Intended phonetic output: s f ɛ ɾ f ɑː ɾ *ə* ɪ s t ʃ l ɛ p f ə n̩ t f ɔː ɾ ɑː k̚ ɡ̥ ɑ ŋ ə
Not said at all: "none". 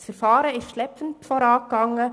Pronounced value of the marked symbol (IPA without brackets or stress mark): ə